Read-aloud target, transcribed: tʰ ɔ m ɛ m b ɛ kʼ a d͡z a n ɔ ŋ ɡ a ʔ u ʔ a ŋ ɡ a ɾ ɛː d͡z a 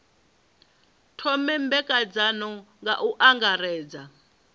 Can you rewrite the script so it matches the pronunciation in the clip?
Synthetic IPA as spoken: tʰ ɔ m ɛ m b ɛ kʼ a d͡z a n ɔ ŋ ɡ a ʔ u ʔ a ŋ ɡ a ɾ ɛː d͡z a